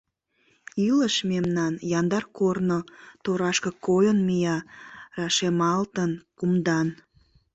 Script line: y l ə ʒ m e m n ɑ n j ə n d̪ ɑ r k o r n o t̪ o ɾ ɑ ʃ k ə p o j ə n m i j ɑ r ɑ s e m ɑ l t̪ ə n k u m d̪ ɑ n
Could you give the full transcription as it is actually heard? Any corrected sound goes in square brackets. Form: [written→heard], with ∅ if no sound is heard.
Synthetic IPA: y l ə [ʒ→ʃ] m e m n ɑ n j [ə→ɑ] n d̪ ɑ r k o r n o t̪ o ɾ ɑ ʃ k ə [p→k] o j ə n m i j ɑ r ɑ [s→ʃ] e m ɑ l t̪ ə n k u m d̪ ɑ n